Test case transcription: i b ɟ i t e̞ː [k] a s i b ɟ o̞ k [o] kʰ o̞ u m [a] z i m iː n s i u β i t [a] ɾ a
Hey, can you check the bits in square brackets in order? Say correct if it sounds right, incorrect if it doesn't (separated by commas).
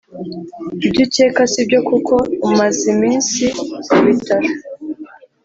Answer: correct, incorrect, correct, correct